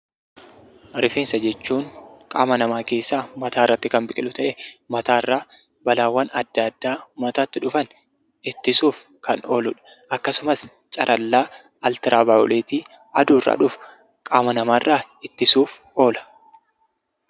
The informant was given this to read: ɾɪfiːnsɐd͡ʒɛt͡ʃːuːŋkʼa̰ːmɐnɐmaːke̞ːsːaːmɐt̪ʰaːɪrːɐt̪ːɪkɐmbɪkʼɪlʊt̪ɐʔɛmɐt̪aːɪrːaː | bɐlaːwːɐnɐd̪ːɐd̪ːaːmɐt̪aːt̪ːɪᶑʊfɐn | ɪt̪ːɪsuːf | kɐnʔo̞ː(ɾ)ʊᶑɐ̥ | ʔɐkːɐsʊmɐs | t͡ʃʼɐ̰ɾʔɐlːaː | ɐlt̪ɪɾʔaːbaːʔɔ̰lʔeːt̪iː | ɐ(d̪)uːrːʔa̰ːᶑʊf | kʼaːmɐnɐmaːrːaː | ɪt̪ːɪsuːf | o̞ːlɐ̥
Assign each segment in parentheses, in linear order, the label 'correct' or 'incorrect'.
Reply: incorrect, correct

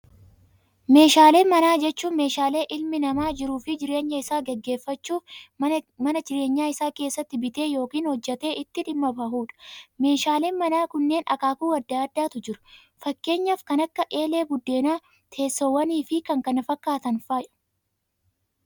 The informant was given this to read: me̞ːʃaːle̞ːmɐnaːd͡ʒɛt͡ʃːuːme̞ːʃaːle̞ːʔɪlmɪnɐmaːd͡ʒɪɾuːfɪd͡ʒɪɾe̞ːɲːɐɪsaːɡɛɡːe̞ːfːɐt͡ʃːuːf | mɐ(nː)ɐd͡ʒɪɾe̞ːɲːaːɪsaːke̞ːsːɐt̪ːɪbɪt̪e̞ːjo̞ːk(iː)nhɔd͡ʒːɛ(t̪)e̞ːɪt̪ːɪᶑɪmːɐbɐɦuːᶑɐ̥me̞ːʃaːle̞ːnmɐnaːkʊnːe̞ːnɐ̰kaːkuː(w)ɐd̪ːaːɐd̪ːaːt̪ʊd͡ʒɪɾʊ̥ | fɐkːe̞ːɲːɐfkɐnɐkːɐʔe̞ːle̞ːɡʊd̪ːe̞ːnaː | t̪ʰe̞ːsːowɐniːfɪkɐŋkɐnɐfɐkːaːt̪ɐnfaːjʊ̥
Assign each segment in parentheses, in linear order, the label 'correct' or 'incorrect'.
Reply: incorrect, correct, correct, correct

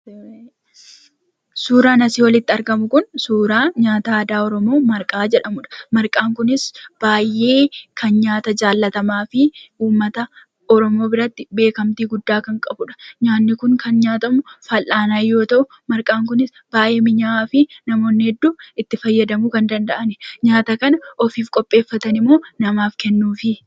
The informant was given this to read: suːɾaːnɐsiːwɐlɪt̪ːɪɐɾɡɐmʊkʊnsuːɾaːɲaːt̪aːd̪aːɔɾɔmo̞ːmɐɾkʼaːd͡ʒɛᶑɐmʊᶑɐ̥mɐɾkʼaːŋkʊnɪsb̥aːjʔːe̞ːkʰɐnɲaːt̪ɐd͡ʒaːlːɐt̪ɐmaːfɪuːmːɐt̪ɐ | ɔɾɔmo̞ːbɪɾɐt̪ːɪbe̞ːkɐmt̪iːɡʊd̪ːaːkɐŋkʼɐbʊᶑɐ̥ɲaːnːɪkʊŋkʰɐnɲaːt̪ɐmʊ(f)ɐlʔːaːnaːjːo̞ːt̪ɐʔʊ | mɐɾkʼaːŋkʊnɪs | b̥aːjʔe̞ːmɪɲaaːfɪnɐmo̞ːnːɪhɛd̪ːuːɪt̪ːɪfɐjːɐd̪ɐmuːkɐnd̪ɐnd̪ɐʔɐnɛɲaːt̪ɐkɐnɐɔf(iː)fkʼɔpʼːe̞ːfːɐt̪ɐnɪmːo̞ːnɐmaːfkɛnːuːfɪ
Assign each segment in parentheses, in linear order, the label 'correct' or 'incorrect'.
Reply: correct, correct

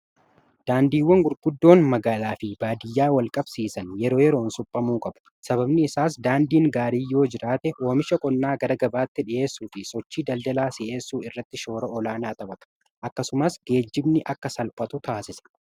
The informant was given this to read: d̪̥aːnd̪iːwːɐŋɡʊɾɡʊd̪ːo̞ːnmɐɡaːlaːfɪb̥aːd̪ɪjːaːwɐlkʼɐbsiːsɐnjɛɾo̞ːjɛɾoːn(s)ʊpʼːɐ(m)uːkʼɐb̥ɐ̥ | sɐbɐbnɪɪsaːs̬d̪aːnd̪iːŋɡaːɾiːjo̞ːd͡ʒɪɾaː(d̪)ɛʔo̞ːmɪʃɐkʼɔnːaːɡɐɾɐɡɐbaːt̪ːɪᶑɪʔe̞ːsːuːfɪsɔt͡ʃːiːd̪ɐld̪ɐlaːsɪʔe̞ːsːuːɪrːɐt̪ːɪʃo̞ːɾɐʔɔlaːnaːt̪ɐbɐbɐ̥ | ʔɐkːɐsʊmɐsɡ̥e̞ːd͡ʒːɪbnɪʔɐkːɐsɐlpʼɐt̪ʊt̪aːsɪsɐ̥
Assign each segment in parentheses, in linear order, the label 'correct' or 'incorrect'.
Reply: correct, correct, incorrect

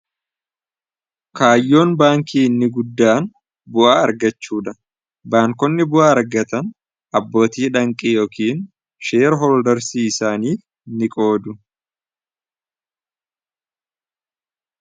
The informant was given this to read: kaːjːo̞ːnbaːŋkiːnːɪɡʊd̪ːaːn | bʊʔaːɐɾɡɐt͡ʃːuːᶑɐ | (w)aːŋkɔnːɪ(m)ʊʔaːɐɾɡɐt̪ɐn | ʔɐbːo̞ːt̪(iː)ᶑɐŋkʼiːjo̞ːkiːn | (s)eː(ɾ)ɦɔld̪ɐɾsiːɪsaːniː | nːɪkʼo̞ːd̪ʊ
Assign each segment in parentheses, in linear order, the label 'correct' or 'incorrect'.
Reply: incorrect, incorrect, correct, incorrect, correct

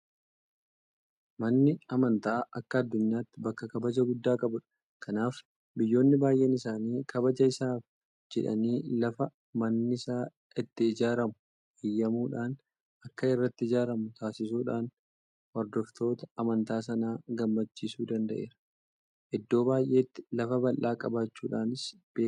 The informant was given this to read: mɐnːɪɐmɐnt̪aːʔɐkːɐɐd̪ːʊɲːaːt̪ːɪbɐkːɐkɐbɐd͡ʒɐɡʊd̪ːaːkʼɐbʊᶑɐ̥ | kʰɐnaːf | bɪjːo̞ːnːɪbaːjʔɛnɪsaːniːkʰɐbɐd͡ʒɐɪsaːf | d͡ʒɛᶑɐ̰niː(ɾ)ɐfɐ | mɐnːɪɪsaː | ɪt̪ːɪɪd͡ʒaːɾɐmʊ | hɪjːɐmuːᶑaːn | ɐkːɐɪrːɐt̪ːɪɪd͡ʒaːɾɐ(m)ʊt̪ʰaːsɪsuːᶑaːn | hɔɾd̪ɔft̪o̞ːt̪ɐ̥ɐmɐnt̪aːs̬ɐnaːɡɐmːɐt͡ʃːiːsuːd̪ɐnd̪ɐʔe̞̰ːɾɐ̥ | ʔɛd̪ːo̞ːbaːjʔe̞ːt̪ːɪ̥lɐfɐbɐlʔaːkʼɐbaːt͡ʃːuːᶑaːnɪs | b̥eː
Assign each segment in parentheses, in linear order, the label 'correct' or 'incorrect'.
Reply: incorrect, correct

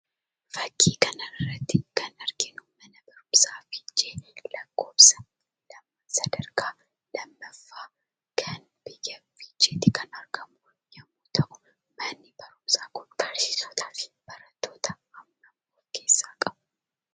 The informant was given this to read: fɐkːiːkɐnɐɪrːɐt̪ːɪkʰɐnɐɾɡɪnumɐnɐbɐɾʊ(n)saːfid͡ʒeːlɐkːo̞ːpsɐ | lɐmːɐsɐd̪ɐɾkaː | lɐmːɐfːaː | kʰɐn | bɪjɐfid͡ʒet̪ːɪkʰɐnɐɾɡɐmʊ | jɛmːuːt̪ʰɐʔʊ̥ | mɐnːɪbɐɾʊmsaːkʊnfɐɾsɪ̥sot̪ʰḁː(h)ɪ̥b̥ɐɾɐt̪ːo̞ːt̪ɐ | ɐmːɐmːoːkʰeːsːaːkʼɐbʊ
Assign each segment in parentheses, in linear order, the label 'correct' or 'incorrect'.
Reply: incorrect, incorrect

